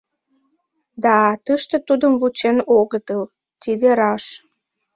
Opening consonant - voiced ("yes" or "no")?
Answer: yes